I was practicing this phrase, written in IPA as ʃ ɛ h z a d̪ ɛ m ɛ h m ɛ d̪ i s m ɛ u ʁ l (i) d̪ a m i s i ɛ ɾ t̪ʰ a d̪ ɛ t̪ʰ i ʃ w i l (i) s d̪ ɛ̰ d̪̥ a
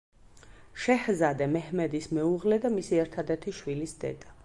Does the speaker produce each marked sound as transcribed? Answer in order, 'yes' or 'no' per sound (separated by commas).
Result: no, yes